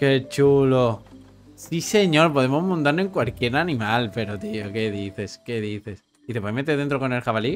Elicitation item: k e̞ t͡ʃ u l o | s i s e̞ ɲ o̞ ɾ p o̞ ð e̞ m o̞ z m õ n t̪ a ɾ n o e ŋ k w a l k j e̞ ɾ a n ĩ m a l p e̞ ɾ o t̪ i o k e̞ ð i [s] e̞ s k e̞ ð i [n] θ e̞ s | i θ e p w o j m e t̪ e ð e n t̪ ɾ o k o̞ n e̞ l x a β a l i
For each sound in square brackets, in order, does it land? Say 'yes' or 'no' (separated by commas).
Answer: no, no